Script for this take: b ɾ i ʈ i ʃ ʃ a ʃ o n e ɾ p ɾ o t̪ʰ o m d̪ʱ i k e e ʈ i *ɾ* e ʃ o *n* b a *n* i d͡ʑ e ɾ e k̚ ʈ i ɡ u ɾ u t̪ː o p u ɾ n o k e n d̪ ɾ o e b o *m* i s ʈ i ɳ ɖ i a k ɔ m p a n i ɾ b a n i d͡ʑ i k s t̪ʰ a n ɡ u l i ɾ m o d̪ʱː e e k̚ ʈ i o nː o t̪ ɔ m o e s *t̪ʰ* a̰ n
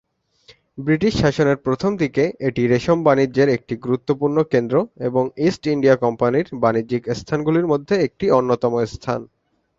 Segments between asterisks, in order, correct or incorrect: correct, incorrect: m, correct, incorrect: ŋ, correct

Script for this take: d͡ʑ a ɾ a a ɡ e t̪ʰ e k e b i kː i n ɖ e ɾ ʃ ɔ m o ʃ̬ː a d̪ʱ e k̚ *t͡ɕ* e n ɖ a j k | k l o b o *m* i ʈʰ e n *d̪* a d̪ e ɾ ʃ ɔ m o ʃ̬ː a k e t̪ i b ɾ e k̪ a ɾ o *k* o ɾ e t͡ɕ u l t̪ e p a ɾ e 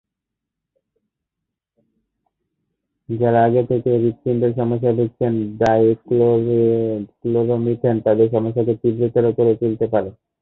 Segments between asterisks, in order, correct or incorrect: incorrect: t͡ɕʰ, correct, incorrect: t̪, correct

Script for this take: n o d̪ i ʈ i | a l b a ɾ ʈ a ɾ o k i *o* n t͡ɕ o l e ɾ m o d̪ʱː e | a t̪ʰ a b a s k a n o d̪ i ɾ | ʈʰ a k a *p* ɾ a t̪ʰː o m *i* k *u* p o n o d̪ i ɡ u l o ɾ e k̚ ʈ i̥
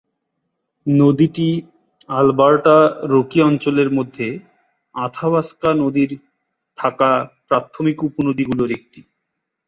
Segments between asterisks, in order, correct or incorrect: incorrect: ɔ, correct, correct, correct

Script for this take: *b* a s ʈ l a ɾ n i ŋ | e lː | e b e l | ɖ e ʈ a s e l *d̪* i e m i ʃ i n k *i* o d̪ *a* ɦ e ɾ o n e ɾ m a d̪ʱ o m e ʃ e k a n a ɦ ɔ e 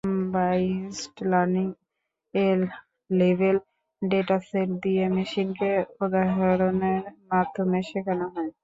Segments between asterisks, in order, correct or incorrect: correct, correct, incorrect: e, correct

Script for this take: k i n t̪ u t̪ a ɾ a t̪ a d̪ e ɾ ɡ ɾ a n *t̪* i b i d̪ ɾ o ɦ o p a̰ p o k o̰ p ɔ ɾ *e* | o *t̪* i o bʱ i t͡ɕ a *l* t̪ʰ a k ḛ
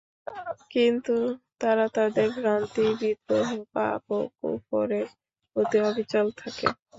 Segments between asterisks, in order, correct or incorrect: correct, correct, correct, correct

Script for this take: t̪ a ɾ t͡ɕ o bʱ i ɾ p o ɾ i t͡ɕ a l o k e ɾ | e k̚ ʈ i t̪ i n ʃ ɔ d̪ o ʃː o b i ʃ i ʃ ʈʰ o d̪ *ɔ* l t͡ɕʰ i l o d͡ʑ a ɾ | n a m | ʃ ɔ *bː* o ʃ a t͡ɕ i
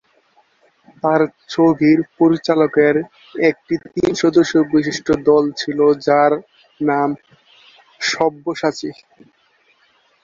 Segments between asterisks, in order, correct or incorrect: correct, correct

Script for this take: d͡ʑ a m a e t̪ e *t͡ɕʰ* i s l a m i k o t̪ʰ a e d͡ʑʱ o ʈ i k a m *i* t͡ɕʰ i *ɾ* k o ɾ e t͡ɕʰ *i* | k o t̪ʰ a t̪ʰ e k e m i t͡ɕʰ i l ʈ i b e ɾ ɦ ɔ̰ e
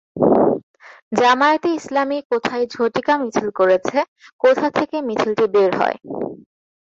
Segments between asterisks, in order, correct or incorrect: incorrect: none, correct, incorrect: l, incorrect: e

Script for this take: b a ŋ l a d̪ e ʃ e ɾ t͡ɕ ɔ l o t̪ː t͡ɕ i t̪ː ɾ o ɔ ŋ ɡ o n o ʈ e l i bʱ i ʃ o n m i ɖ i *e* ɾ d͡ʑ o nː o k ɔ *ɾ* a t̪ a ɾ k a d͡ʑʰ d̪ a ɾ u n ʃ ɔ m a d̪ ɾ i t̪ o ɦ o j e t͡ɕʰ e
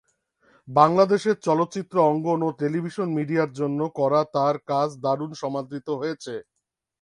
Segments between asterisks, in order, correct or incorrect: incorrect: a, correct

